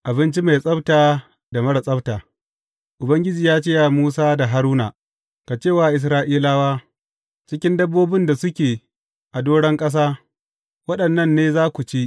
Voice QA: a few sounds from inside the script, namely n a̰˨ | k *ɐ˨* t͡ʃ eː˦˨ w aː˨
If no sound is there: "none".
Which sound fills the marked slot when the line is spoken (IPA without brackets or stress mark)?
a˨